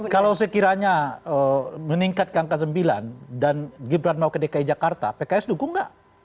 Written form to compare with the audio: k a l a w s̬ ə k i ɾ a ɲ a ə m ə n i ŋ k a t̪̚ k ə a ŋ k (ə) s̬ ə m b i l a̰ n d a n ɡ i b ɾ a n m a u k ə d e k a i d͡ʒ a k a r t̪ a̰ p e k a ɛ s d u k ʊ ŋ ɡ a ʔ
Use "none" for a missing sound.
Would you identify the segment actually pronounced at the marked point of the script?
a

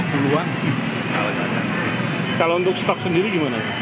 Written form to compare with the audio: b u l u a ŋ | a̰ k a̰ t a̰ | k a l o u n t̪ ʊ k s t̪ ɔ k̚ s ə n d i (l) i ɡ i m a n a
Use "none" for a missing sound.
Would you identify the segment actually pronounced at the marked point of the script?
ɾ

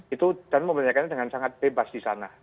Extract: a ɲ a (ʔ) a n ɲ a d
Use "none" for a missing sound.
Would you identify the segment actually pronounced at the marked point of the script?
k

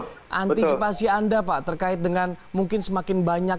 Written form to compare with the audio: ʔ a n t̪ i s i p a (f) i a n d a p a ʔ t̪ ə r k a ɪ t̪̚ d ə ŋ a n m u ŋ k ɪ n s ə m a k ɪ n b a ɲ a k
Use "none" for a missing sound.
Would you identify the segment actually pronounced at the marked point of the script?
s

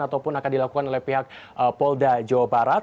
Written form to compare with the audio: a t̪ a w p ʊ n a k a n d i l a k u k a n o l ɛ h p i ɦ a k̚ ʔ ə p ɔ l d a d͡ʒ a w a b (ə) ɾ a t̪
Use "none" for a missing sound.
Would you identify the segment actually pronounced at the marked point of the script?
a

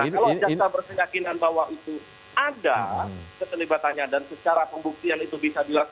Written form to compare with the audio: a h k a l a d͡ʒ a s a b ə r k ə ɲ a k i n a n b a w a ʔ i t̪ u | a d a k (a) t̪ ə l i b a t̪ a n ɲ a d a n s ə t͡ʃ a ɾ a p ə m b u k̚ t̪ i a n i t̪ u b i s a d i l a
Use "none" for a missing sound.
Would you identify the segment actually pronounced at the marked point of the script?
ə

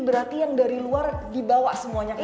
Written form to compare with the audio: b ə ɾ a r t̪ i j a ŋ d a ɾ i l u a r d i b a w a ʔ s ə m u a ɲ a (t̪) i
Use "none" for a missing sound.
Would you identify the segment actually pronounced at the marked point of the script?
none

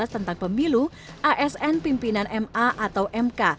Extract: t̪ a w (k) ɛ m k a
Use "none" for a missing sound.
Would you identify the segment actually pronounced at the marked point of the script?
ʔ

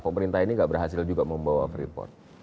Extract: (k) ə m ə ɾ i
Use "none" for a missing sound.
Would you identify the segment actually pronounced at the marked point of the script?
p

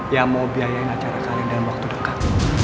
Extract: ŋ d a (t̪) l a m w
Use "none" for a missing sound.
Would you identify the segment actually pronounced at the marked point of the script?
none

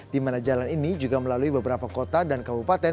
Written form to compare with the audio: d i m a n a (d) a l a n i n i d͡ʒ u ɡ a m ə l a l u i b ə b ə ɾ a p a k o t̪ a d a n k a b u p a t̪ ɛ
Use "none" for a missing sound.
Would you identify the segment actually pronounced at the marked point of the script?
d͡ʒ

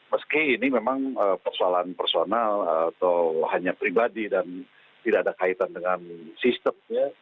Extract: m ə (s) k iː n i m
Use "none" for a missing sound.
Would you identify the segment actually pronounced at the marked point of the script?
s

